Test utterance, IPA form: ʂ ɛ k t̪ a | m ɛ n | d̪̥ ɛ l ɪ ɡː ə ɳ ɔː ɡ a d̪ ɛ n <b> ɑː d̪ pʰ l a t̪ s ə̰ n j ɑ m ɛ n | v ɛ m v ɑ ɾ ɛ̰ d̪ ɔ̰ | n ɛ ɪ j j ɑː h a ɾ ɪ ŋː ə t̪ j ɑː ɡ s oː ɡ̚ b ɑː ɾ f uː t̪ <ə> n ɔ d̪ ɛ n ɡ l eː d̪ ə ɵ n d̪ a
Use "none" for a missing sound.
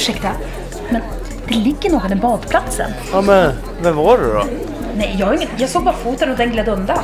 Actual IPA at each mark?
b, ə

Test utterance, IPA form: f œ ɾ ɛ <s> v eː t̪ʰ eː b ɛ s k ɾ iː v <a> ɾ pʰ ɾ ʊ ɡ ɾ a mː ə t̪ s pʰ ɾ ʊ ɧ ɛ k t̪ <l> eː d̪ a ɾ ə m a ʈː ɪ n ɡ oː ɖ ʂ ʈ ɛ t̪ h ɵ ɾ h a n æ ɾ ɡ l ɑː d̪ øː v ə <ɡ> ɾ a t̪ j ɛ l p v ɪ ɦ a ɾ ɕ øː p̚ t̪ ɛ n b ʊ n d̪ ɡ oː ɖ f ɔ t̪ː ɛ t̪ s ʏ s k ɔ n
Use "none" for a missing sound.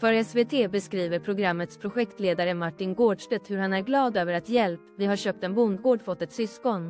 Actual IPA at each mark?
s, ə, l, none

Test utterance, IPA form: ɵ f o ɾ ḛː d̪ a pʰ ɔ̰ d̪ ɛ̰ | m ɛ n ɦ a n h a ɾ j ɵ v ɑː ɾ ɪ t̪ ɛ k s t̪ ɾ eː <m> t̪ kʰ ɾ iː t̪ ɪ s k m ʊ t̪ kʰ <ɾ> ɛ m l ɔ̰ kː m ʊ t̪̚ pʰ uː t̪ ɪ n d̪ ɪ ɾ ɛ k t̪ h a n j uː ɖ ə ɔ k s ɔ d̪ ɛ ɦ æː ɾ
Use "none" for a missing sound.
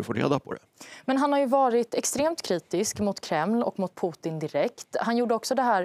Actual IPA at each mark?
m, ɾ

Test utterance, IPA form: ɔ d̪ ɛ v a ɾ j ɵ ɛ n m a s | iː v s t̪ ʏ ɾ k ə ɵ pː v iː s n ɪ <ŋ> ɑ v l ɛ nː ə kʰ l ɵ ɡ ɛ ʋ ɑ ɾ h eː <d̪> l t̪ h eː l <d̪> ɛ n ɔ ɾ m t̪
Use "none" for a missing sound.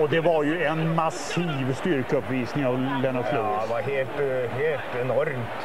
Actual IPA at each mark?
ŋ, none, t̪

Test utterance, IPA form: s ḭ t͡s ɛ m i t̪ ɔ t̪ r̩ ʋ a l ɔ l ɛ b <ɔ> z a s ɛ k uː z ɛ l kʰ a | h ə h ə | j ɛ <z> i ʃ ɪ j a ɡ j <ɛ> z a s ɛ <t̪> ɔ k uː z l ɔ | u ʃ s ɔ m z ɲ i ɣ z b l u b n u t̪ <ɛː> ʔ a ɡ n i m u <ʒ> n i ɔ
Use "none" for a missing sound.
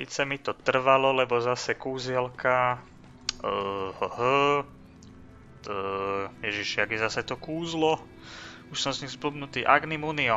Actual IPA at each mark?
ɔ, ʒ, ɛ, t̪, iː, none

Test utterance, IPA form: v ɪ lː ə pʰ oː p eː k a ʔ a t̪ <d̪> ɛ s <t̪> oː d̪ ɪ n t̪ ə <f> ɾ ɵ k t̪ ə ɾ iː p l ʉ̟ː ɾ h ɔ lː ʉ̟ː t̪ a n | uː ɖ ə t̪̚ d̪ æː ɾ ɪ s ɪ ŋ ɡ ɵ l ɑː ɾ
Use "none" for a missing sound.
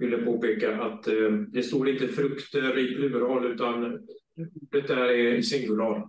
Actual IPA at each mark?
d̪, t̪, f

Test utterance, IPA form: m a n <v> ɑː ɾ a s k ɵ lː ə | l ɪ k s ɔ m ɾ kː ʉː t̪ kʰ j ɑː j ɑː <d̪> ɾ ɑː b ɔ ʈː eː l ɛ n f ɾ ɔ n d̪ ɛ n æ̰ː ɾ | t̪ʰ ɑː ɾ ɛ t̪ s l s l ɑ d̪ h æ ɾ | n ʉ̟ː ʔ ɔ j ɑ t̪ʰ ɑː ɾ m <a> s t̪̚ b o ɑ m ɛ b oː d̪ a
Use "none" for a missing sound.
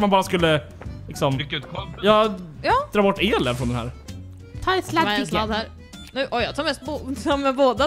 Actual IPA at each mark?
b, d̪, ɛ

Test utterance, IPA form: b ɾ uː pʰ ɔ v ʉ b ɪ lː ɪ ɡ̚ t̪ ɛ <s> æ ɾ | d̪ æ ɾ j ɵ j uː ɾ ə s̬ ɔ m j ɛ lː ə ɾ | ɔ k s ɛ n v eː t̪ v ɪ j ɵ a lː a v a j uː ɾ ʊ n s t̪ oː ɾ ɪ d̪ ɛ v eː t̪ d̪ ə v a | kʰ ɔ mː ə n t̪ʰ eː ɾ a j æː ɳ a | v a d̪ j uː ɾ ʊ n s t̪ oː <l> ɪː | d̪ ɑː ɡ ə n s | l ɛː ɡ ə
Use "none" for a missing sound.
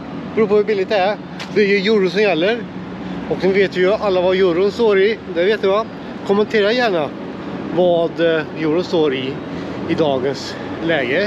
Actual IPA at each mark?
none, ɾ

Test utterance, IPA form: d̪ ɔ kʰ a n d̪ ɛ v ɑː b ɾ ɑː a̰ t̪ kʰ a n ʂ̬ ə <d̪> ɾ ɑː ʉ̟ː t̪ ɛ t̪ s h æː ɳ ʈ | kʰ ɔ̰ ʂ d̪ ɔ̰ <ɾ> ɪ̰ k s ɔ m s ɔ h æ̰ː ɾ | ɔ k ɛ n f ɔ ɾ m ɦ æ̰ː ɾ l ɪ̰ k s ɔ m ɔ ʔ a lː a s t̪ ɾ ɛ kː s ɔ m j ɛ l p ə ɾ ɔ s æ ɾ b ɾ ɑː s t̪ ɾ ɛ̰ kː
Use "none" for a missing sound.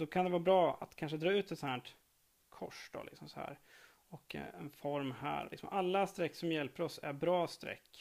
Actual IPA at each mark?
d̪, l

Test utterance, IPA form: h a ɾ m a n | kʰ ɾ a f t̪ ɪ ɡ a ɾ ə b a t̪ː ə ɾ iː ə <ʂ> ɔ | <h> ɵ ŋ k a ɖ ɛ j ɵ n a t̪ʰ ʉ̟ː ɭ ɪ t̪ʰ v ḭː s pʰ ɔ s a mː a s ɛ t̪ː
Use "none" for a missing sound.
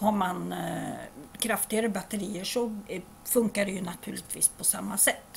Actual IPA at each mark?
ʂ, f

